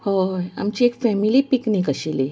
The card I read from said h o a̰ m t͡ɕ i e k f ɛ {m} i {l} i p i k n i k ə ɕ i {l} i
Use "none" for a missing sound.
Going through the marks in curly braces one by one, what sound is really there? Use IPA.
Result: m, l, l

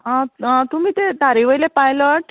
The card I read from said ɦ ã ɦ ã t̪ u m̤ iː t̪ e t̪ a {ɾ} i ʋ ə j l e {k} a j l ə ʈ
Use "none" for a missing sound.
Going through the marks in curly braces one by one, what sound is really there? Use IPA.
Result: ɾ, p

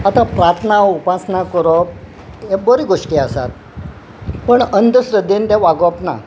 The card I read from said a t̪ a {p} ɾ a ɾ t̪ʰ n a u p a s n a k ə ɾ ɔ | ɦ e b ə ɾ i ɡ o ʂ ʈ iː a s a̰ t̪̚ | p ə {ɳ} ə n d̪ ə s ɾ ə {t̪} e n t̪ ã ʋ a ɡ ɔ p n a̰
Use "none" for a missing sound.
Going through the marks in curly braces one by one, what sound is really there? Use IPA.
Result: p, ɳ, d̪

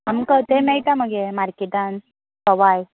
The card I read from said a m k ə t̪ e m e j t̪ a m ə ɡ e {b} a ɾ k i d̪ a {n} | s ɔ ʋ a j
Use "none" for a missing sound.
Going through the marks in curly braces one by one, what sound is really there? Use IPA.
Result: m, n

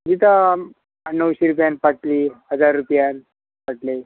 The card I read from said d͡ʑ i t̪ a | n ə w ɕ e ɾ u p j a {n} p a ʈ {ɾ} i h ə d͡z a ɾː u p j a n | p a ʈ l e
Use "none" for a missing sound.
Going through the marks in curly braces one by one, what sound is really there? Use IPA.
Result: n, l

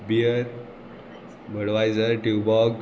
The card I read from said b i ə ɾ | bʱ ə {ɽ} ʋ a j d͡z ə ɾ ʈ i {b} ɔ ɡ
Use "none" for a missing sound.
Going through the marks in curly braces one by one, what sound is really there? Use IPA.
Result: ɽ, b

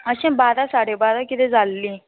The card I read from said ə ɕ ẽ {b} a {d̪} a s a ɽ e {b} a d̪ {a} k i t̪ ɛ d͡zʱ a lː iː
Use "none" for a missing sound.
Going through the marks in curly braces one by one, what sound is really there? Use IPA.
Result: b, d̪, b, a

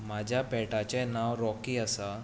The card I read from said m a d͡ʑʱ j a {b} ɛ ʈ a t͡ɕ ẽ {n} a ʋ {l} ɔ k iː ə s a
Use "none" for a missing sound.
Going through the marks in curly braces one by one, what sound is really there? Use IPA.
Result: p, n, ɾ

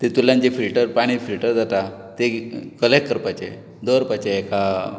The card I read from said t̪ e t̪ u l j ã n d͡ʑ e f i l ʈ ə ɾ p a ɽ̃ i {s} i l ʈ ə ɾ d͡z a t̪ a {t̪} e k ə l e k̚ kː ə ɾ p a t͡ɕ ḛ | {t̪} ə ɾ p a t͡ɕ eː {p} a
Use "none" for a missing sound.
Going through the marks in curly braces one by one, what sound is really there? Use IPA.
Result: f, t̪, d̪, k

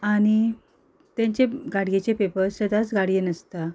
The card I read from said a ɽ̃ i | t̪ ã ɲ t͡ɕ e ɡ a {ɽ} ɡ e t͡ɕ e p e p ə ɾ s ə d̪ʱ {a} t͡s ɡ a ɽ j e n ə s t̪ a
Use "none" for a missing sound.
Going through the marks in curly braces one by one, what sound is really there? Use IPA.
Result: ɽ, a

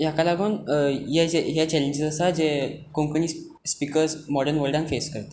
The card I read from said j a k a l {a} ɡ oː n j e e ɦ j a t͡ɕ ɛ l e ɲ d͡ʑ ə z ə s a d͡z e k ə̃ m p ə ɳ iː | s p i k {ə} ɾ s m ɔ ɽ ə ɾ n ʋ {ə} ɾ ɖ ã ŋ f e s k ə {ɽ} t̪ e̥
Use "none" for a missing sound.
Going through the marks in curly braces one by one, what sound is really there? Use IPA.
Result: a, ə, ə, ɾ

